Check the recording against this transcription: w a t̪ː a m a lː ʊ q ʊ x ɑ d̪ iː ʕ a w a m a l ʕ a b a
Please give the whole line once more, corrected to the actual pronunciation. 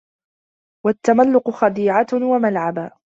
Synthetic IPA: w a t̪ː a m a lː ʊ q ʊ x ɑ d̪ iː ʕ a w a m a l ʕ a b a